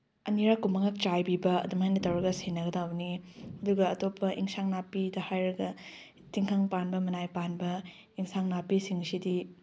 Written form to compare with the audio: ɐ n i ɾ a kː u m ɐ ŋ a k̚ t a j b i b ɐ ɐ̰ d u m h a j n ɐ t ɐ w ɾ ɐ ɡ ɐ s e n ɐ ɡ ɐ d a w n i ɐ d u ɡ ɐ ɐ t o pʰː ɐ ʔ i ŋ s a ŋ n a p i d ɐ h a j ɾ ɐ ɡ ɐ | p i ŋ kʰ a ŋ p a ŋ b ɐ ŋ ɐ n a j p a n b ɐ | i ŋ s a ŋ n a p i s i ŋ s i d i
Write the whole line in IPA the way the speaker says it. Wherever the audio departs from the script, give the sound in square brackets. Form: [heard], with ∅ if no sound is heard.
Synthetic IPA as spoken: ɐ n i ɾ a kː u m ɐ ŋ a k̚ [t͡ʃ] a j b i b ɐ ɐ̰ d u m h a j n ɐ t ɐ w ɾ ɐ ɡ ɐ s e n ɐ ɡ ɐ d a w n i ɐ d u ɡ ɐ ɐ t o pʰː ɐ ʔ i ŋ s a ŋ n a p i d ɐ h a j ɾ ɐ ɡ ɐ | [t] i ŋ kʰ a ŋ p a [n] b ɐ [m] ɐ n a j p a n b ɐ | i ŋ s a ŋ n a p i s i ŋ s i d i